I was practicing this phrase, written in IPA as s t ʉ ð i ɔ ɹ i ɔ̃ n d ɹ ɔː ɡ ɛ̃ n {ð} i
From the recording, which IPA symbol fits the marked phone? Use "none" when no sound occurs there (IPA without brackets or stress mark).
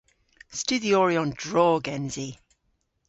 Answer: z